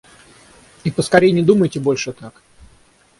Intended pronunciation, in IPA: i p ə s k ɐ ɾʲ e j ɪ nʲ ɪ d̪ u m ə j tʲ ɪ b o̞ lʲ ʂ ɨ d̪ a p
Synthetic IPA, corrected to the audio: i p ə s k ɐ ɾʲ e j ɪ nʲ ɪ d̪ u m ə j tʲ ɪ b o̞ lʲ ʂ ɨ t̪ a k